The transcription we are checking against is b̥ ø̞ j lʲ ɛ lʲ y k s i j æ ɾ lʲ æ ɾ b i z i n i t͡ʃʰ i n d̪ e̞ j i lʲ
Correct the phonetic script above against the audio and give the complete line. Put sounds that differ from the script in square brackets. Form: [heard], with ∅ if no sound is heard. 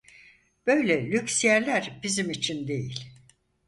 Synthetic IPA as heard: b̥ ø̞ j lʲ ɛ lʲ y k s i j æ ɾ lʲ æ ɾ b i z i [m] i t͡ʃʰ i n d̪ e̞ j i lʲ